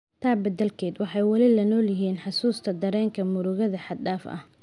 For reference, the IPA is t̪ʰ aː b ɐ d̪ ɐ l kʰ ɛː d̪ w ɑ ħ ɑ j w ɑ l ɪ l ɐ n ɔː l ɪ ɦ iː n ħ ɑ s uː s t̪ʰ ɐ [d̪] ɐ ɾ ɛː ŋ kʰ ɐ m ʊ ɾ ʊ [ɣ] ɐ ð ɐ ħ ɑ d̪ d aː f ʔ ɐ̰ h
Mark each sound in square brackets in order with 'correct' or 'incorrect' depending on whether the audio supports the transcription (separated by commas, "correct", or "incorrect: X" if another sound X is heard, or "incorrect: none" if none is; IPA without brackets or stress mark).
correct, correct